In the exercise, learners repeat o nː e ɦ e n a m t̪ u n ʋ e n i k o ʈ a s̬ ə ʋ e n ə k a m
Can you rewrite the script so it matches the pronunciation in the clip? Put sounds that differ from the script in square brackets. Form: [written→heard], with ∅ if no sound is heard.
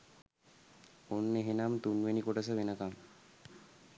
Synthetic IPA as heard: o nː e ɦ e n a m t̪ u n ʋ e n i k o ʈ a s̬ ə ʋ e n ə k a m